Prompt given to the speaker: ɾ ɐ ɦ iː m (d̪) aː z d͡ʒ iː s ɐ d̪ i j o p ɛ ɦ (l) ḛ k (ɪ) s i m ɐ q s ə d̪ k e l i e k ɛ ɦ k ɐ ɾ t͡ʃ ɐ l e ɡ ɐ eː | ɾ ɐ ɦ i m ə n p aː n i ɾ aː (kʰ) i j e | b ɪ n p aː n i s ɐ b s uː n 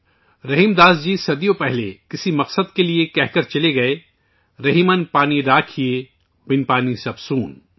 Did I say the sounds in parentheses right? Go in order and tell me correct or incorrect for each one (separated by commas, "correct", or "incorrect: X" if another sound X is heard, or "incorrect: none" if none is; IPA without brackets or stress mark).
correct, correct, correct, correct